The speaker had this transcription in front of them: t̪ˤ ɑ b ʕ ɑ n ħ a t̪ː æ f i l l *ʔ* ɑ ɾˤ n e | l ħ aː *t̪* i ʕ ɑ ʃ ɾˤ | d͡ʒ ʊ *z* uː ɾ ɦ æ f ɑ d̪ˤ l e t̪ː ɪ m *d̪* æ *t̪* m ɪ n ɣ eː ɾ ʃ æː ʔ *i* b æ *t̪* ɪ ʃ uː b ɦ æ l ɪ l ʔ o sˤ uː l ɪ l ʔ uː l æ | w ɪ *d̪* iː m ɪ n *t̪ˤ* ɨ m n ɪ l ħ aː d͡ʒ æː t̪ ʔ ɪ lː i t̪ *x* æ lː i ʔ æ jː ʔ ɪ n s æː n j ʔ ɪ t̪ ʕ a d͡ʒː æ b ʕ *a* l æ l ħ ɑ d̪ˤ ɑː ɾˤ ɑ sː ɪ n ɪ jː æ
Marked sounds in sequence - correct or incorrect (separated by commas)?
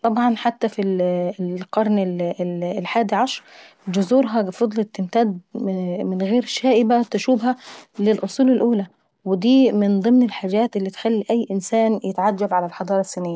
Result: incorrect, incorrect, correct, incorrect, incorrect, incorrect, correct, correct, incorrect, correct, correct